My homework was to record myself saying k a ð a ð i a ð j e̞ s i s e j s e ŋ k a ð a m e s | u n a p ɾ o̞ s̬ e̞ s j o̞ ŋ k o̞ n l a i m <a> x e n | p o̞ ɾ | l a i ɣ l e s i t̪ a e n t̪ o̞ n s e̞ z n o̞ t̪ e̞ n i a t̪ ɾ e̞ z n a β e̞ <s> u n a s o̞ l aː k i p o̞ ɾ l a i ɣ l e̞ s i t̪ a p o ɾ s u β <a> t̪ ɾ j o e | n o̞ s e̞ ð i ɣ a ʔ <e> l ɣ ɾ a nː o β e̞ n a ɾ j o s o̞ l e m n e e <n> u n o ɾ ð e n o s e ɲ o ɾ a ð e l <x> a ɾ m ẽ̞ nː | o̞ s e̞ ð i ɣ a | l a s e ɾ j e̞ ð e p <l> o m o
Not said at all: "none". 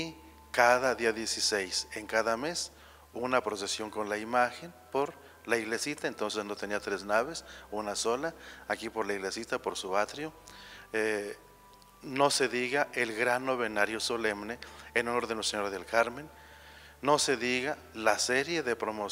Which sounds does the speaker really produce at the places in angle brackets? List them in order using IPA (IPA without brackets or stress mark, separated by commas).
a, s, a, e, n, k, ɾ